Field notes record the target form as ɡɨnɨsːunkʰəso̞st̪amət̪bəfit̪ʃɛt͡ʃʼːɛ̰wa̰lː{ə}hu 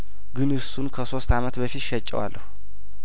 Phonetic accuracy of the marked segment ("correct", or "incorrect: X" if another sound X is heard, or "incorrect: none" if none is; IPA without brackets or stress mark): correct